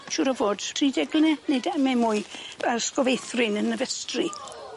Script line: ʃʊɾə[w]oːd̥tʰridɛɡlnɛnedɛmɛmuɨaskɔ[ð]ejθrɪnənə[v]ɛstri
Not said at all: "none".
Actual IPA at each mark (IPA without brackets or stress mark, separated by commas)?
v, v, v